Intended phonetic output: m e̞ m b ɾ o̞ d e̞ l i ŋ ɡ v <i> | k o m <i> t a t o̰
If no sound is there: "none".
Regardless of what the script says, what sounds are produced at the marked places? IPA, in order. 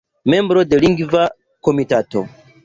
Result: a, i

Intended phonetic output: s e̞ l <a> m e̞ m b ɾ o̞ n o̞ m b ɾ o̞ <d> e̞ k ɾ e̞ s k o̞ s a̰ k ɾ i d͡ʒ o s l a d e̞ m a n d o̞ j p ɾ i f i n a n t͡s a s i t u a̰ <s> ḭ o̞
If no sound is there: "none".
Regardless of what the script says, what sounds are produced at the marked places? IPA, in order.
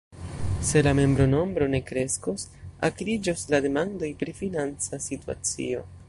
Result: a, n, t͡s

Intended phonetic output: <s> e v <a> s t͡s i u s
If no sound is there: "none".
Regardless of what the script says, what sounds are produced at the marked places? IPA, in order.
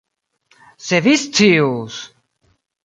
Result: s, i

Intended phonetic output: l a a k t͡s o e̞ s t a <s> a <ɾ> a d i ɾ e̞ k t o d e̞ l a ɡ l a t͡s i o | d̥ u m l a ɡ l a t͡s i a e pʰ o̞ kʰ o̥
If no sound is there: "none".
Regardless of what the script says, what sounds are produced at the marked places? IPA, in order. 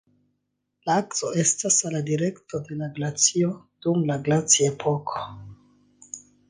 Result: s, l

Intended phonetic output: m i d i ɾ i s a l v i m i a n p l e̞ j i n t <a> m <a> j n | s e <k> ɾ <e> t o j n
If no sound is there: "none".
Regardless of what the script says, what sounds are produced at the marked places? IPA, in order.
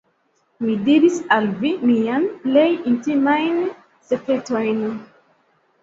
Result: i, a, k, e

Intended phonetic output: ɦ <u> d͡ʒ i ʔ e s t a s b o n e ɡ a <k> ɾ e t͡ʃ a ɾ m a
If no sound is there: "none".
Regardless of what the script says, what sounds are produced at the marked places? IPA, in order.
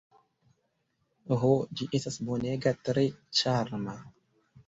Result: o, t

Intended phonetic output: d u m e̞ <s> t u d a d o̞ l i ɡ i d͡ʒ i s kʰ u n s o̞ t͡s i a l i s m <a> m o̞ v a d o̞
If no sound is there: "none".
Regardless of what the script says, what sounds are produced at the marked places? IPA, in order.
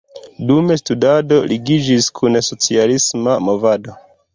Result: s, a

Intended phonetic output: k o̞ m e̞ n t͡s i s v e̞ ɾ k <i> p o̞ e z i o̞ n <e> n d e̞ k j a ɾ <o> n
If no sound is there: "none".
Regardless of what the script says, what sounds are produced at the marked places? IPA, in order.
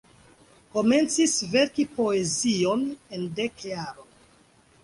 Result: i, e, o

